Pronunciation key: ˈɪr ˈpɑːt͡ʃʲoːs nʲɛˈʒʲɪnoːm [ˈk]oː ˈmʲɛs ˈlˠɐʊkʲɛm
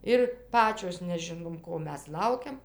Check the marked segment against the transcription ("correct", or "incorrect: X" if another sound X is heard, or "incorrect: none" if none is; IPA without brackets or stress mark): correct